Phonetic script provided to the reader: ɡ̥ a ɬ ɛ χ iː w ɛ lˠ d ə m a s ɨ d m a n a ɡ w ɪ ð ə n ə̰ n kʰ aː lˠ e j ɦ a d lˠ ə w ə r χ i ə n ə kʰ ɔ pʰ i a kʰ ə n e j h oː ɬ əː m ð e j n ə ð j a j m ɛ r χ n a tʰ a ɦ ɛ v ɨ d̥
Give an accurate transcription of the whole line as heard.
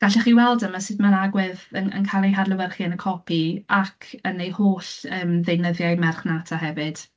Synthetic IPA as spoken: ɡ̥ a ɬ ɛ χ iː w ɛ lˠ d ə m a s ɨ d m a n a ɡ w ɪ ð ə n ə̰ n kʰ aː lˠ e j ɦ a d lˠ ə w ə r χ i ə n ə kʰ ɔ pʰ i a kʰ ə n e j h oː ɬ əː m ð e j n ə ð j a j m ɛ r χ n a tʰ a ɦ ɛ v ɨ d̥